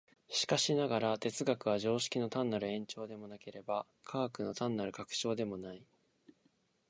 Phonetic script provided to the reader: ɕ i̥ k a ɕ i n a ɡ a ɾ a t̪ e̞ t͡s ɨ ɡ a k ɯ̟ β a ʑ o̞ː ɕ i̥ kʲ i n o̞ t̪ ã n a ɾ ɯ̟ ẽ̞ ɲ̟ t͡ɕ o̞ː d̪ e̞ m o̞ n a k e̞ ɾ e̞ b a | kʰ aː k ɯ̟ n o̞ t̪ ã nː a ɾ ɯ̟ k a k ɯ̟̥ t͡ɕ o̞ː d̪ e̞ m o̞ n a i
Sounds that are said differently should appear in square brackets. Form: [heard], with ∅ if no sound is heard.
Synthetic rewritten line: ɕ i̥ k a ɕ i n a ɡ a ɾ a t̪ e̞ t͡s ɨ ɡ a k ɯ̟ β a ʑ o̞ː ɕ i̥ kʲ i n o̞ t̪ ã [nː] a ɾ ɯ̟ ẽ̞ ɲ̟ t͡ɕ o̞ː d̪ e̞ m o̞ n a k e̞ ɾ e̞ b a | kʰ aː k ɯ̟ n o̞ t̪ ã nː a ɾ ɯ̟ k a k ɯ̟̥ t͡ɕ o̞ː d̪ e̞ m o̞ n a i